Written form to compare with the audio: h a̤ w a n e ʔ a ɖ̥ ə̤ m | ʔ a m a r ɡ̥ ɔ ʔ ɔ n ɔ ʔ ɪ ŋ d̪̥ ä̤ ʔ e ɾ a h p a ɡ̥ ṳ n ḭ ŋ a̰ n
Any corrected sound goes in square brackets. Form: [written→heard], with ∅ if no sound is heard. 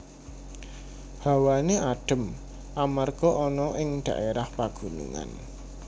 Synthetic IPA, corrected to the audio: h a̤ w a n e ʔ a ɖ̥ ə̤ m | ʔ a m a r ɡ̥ ɔ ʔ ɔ n ɔ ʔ ɪ ŋ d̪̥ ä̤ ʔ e ɾ a h p a ɡ̥ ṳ n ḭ ŋ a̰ n